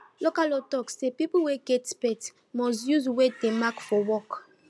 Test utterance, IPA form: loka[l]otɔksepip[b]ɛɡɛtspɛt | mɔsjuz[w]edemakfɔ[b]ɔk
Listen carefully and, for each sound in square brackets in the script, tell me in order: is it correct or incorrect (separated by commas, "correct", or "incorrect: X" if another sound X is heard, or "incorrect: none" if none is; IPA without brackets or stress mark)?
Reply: correct, incorrect: w, correct, incorrect: w